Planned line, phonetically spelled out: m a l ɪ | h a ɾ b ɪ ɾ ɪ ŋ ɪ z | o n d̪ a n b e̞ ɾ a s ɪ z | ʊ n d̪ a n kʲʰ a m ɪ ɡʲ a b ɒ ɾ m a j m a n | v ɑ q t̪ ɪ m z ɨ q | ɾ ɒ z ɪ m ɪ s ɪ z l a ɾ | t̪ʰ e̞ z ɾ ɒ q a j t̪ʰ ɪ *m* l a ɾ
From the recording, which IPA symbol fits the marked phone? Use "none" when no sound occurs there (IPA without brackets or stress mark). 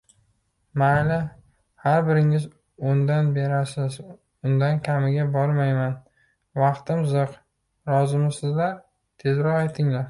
ŋ